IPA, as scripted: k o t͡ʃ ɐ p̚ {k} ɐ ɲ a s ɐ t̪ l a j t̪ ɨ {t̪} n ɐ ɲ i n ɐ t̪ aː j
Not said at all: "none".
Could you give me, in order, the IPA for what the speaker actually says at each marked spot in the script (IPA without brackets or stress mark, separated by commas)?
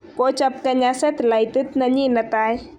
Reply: k, t̪